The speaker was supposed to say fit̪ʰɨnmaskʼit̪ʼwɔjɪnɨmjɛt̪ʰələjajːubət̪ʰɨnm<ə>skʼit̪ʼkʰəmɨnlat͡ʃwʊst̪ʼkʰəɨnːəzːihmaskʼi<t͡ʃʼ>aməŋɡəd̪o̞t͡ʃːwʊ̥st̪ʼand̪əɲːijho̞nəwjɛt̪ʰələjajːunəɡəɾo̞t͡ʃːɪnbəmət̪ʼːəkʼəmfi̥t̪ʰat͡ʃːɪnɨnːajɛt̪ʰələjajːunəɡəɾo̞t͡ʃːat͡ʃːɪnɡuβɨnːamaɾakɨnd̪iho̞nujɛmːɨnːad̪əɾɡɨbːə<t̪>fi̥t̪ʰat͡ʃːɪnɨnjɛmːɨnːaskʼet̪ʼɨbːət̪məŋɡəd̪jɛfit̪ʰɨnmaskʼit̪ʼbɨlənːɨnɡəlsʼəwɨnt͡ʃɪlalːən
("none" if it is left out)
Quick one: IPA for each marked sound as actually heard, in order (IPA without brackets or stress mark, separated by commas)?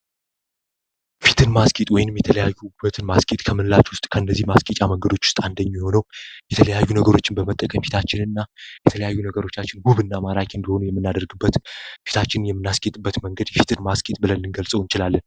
a, t͡ʃʼ, t̪